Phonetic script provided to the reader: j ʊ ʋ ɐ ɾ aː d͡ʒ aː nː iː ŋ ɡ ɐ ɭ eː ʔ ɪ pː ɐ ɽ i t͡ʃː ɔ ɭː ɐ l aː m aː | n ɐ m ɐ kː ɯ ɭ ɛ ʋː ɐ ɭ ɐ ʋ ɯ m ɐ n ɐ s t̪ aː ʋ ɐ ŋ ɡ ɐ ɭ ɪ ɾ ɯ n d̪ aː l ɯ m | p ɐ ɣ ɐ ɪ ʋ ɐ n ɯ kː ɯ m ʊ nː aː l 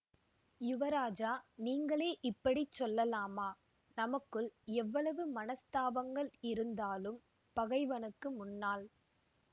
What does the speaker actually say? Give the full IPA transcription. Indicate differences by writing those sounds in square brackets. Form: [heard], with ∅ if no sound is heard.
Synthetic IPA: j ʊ ʋ ɐ ɾ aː d͡ʒ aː [n] iː ŋ ɡ ɐ ɭ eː ʔ ɪ pː ɐ ɽ i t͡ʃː ɔ [lː] ɐ l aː m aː | n ɐ m ɐ kː ɯ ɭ ɛ ʋː ɐ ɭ ɐ ʋ ɯ m ɐ n ɐ s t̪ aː ʋ ɐ ŋ ɡ ɐ ɭ ɪ ɾ ɯ n d̪ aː l ɯ m | p ɐ ɣ ɐ ɪ ʋ ɐ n ɯ kː ɯ m ʊ nː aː l

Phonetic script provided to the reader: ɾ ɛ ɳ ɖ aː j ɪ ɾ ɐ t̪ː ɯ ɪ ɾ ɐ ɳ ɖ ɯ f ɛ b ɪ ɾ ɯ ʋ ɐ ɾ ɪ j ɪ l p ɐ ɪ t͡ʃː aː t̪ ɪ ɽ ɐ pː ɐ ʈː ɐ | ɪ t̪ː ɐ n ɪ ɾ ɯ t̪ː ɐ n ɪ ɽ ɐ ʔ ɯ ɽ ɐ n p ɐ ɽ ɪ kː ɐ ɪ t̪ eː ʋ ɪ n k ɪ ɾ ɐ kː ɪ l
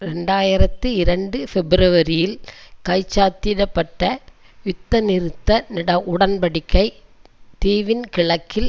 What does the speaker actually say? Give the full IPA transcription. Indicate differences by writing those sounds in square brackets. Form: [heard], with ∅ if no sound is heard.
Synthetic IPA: ɾ ɛ ɳ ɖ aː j ɪ ɾ ɐ t̪ː ɯ ɪ ɾ ɐ ɳ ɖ ɯ f ɛ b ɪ ɾ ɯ ʋ ɐ ɾ ɪ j ɪ l [k] ɐ ɪ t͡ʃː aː t̪ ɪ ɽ ɐ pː ɐ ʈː ɐ | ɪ t̪ː ɐ n ɪ ɾ ɯ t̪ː ɐ n ɪ ɽ ɐ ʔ [ʊ] ɽ ɐ n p ɐ ɽ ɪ kː ɐ ɪ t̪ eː ʋ ɪ n k ɪ [ɭ] ɐ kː ɪ l

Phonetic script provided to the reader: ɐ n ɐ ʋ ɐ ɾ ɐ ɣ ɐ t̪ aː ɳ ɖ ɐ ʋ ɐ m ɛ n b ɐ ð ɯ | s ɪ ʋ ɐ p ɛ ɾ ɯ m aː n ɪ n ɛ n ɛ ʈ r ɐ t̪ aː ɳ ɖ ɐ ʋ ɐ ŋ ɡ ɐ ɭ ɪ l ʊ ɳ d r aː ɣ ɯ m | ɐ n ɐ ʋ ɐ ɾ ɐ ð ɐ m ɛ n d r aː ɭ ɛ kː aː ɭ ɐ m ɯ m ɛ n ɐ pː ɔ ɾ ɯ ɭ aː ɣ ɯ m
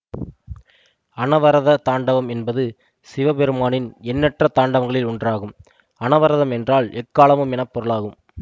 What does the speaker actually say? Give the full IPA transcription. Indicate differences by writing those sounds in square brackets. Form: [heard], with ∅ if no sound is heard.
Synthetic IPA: ɐ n ɐ ʋ ɐ ɾ ɐ [ð] ɐ t̪ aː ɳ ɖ ɐ ʋ ɐ m ɛ n b ɐ ð ɯ | s ɪ ʋ ɐ p ɛ ɾ ɯ m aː n ɪ n ɛ [nː] ɛ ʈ r ɐ t̪ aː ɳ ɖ ɐ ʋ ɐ ŋ ɡ ɐ ɭ ɪ l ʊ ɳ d r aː ɣ ɯ m | ɐ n ɐ ʋ ɐ ɾ ɐ ð ɐ m ɛ n d r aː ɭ ɛ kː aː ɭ ɐ m ɯ m ɛ n ɐ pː ɔ ɾ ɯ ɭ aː ɣ ɯ m

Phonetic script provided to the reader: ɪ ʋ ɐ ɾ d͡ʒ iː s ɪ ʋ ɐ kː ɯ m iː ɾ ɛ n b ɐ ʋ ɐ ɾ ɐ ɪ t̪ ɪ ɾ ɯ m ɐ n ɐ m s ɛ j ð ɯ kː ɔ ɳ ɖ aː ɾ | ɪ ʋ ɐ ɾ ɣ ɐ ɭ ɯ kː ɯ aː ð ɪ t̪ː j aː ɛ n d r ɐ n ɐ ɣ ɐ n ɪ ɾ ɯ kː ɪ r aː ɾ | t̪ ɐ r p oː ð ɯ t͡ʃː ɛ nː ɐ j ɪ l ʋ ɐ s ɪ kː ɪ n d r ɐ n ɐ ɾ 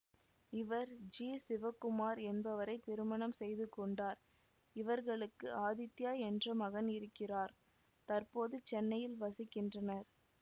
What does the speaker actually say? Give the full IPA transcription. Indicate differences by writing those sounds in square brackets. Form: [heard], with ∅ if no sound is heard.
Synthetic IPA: ɪ ʋ ɐ ɾ d͡ʒ iː s ɪ ʋ ɐ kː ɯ m [aː] ɾ ɛ n b ɐ ʋ ɐ ɾ ɐ ɪ t̪ ɪ ɾ ɯ m ɐ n ɐ m s ɛ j ð ɯ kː ɔ ɳ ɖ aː ɾ | ɪ ʋ ɐ ɾ ɣ ɐ ɭ ɯ kː ɯ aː ð ɪ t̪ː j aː ɛ n d r ɐ [m] ɐ ɣ ɐ n ɪ ɾ ɯ kː ɪ r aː ɾ | t̪ ɐ r p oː ð ɯ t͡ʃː ɛ nː ɐ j ɪ l ʋ ɐ s ɪ kː ɪ n d r ɐ n ɐ ɾ

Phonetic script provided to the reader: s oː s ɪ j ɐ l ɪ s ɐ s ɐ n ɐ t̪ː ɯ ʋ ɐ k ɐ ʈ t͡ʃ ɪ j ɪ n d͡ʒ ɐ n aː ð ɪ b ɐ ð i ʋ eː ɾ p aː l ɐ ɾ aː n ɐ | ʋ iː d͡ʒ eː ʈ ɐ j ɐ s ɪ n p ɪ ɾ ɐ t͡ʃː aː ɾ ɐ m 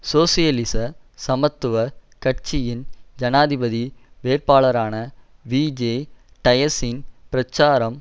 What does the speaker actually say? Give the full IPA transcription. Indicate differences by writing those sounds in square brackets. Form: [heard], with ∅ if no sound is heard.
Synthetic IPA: s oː s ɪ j ɐ l ɪ s ɐ s ɐ [m] ɐ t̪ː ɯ ʋ ɐ k ɐ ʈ t͡ʃ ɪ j ɪ n d͡ʒ ɐ n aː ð ɪ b ɐ ð i ʋ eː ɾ p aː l ɐ ɾ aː n ɐ | ʋ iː d͡ʒ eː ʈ ɐ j ɐ s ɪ n p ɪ ɾ ɐ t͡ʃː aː ɾ ɐ m

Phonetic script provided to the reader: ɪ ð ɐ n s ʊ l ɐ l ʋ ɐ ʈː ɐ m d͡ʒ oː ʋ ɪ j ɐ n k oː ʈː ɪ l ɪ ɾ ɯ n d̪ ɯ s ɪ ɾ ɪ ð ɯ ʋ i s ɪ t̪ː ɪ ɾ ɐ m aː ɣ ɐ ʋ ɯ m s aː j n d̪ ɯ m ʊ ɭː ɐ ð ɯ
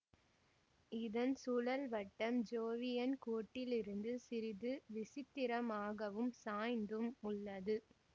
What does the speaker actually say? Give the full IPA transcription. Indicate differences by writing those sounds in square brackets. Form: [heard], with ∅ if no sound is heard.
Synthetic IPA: ɪ ð ɐ n s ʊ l ɐ l ʋ ɐ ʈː ɐ m d͡ʒ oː ʋ ɪ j ɐ n k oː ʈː ɪ l ɪ ɾ ɯ n d̪ ɯ s ɪ ɾ ɪ ð ɯ ʋ [ɪ] s ɪ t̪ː ɪ ɾ ɐ m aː ɣ ɐ ʋ ɯ m s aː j n d̪ ɯ m ʊ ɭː ɐ ð ɯ

